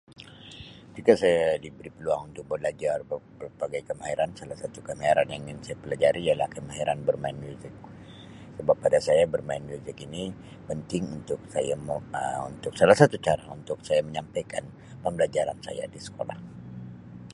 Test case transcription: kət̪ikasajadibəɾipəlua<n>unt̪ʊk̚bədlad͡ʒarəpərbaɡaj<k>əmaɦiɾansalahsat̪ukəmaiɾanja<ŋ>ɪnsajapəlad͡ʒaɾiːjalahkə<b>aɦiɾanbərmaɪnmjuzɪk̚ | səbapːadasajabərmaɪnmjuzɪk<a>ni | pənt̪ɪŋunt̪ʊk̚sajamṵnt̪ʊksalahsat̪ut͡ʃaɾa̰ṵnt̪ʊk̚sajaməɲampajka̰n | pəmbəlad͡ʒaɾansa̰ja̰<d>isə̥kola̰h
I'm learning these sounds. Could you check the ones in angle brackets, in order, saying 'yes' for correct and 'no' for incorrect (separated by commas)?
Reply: no, yes, yes, no, no, yes